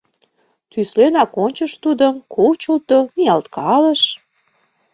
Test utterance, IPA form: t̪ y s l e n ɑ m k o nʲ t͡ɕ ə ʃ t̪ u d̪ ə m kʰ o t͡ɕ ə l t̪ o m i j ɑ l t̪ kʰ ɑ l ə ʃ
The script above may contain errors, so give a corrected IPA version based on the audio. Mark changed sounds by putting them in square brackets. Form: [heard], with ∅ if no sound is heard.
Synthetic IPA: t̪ y s l e n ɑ [∅] k o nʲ t͡ɕ ə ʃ t̪ u d̪ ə m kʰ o t͡ɕ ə l t̪ o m i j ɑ l t̪ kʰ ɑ l ə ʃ